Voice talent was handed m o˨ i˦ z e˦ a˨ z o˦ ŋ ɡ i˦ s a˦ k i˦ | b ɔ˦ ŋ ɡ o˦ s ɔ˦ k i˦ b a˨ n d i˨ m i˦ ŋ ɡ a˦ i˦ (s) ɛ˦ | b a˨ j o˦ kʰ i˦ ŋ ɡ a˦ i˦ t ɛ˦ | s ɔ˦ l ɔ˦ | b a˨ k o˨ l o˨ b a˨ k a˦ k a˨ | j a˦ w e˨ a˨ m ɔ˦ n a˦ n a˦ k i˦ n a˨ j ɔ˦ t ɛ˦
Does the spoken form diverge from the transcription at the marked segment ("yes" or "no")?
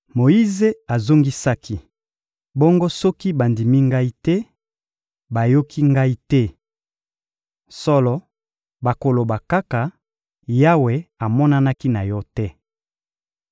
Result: yes